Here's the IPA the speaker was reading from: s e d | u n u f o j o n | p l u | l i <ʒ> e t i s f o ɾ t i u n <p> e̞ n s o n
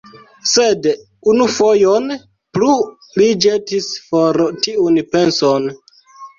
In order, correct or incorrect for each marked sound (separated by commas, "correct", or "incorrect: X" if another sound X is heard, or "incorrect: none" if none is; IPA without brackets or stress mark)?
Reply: incorrect: d͡ʒ, correct